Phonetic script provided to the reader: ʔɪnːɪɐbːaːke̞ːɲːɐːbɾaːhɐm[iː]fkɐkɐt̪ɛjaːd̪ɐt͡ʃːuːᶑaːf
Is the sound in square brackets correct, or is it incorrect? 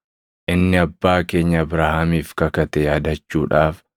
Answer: correct